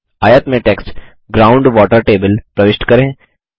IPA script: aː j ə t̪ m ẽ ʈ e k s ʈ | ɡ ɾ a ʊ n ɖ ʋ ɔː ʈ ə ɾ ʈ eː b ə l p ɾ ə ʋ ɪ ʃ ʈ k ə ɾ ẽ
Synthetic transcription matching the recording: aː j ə t̪ m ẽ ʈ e k s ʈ | ɡ ɾ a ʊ ɳ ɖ ʋ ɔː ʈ ə ɾ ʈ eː b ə l p ɾ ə ʋ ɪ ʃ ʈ k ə ɾ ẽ